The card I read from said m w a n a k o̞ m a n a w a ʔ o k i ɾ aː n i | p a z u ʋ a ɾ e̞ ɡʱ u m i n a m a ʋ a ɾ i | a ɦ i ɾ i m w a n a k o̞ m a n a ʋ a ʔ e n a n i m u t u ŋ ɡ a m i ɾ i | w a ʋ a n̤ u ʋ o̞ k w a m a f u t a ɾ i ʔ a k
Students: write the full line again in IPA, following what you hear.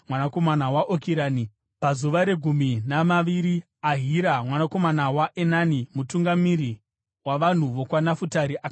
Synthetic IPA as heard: m w a n a k o̞ m a n a w a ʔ o k i ɾ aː n i | p a z u ʋ a ɾ e̞ ɡʱ u m i n a m a ʋ i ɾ i | a ɦ i ɾ a m w a n a k o̞ m a n a w a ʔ e n a n i m u t u ŋ ɡ a m i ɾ i | w a ʋ a n̤ u ʋ o̞ k w a n a f u t a ɾ i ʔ a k